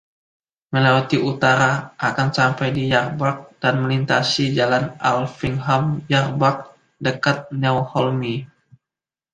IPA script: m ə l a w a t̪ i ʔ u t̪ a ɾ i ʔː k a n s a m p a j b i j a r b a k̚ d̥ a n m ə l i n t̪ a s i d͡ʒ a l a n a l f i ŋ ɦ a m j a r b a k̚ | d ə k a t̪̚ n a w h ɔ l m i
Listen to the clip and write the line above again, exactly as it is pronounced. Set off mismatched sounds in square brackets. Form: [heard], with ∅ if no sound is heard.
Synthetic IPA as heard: m ə l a w a t̪ i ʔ u t̪ a ɾ [a] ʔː k a n s a m p a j [d] i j a r b a k̚ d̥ a n m ə l i n t̪ a s i d͡ʒ a l a n a l f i ŋ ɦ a m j a r b a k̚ | d ə k a t̪̚ n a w h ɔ l m i